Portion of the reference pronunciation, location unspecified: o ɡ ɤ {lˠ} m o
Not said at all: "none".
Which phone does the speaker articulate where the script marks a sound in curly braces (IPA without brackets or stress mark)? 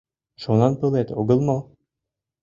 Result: lˠ